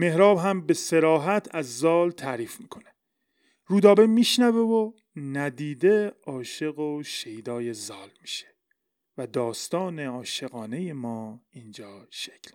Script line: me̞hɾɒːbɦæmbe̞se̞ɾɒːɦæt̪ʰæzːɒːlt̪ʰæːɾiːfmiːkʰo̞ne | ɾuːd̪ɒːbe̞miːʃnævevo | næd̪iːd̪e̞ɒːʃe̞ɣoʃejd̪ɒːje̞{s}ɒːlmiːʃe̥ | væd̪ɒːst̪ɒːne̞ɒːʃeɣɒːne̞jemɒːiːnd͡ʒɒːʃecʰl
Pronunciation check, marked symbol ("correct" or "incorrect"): incorrect